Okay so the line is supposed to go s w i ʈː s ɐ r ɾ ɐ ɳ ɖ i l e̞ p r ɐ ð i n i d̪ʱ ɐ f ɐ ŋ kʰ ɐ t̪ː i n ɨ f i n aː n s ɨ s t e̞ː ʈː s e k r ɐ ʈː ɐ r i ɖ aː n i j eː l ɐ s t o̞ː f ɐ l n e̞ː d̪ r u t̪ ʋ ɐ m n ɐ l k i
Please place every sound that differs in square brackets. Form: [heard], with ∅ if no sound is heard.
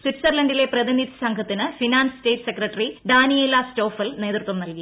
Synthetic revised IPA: s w i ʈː s ɐ r [l] ɐ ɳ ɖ i l e̞ p r ɐ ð i n i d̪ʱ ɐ [s] ɐ ŋ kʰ ɐ t̪ː i n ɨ f i n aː n s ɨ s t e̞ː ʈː s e k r ɐ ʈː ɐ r i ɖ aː n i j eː l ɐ s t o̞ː f ɐ l n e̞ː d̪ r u t̪ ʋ ɐ m n ɐ l k i